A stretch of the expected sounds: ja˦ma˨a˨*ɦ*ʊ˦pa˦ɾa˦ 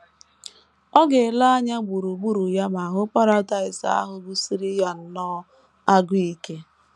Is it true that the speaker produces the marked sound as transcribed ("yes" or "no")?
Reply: yes